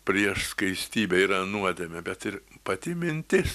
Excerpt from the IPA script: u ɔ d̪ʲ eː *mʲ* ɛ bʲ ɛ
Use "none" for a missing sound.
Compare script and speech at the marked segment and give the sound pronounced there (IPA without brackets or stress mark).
mʲ